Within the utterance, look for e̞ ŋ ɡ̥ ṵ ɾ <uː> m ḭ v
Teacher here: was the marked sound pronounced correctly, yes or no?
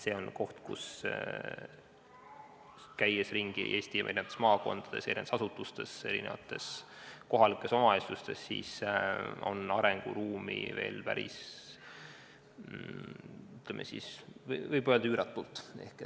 yes